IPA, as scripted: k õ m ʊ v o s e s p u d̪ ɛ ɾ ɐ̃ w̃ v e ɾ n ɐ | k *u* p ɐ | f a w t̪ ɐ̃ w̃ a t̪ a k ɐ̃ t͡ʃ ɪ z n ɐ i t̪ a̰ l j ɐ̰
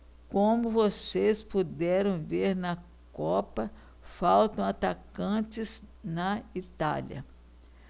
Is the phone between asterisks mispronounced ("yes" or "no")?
yes